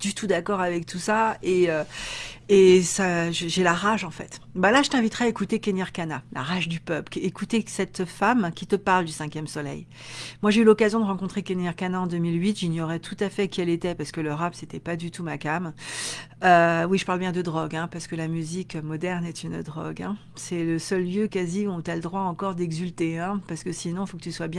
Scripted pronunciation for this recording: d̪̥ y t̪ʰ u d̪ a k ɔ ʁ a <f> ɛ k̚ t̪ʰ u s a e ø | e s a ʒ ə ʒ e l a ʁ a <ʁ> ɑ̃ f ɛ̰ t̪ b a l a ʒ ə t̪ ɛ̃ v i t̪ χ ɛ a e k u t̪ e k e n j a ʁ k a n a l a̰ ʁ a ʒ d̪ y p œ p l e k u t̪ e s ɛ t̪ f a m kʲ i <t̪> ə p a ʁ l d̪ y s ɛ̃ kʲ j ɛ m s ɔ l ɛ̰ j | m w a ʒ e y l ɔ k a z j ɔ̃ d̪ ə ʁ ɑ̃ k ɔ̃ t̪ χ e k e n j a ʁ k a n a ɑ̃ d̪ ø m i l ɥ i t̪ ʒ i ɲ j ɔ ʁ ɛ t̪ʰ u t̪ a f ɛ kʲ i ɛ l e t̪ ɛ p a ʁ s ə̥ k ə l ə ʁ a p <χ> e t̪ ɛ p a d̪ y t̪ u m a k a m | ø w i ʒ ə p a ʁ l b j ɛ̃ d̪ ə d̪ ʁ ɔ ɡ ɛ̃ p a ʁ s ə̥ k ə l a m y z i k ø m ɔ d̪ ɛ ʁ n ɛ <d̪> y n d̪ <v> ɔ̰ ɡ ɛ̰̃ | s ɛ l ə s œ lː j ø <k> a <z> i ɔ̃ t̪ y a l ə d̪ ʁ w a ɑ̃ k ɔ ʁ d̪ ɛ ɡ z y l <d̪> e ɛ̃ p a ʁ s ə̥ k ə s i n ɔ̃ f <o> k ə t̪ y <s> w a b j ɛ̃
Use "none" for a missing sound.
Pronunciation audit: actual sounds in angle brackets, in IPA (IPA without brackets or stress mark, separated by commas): v, ʒ, t̪, s, t̪, ʁ, k, z, t̪, o, s